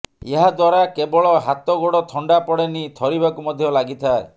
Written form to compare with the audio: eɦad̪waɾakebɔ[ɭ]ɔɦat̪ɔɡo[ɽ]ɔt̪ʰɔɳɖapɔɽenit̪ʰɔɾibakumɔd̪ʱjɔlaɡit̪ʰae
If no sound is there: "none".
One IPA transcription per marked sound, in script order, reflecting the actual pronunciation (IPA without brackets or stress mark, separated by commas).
ɭ, ɽ